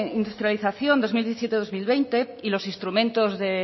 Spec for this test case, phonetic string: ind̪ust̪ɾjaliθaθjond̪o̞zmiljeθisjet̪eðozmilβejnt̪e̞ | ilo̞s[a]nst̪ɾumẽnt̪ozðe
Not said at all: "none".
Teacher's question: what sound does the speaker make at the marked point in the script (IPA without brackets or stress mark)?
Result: i